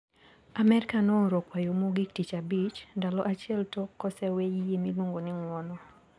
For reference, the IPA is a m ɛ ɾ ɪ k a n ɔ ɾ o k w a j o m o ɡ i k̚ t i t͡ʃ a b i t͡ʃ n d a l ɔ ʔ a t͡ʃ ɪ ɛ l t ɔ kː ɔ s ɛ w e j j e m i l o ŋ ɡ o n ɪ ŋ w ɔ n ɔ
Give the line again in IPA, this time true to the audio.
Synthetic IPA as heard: a m ɛ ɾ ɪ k a n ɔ ɾ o k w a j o m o ɡ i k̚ t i t͡ʃ a b i t͡ʃ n d a l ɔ ʔ a t͡ʃ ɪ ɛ l t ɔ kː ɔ s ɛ w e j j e m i l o ŋ ɡ o n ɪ ŋ w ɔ n ɔ